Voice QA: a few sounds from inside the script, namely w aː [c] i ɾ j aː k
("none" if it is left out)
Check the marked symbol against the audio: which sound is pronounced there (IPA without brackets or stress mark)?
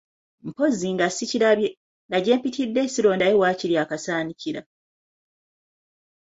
c